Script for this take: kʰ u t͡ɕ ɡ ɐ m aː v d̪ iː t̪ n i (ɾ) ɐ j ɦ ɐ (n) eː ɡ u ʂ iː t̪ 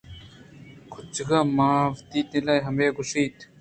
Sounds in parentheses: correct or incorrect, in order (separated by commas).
incorrect, incorrect